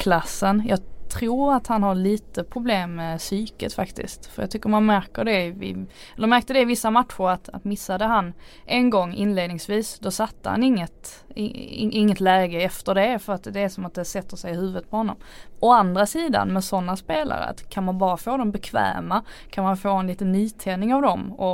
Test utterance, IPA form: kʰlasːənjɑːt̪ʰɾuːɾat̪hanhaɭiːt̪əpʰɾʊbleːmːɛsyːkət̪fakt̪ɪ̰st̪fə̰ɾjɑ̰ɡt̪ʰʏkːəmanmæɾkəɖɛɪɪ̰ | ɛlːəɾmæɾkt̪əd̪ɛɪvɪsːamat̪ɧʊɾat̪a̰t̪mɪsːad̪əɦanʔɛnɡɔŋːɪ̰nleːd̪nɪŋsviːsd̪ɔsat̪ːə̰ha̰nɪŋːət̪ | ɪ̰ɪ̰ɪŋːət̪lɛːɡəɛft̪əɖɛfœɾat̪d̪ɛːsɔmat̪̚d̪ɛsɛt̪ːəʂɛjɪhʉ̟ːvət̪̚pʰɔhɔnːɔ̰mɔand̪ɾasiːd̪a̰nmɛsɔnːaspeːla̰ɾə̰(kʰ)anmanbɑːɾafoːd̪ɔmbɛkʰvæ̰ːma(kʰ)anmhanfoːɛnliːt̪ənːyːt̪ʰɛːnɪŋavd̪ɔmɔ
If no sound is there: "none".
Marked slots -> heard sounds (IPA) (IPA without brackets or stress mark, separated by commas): kʰ, kʰ